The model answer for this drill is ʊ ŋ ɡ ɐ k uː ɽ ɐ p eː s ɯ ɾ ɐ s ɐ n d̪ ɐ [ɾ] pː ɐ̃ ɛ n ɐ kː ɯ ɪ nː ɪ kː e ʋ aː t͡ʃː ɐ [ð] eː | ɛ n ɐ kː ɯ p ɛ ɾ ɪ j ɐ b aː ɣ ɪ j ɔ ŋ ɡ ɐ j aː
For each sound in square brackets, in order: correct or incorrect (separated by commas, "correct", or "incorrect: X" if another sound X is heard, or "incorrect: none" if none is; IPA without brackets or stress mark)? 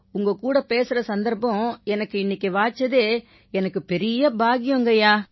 correct, correct